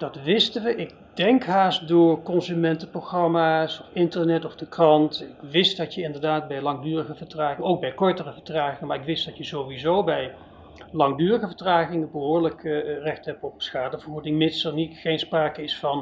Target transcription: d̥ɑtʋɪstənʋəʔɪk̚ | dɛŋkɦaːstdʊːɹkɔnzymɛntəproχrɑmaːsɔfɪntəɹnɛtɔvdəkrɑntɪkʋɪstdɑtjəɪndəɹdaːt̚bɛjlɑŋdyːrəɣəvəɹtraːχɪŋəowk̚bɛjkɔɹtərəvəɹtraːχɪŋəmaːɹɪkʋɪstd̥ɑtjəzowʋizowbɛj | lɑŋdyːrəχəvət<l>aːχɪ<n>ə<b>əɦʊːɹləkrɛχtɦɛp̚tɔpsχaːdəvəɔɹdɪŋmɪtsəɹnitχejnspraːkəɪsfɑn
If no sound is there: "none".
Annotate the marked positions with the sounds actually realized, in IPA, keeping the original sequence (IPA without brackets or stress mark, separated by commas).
r, ŋ, b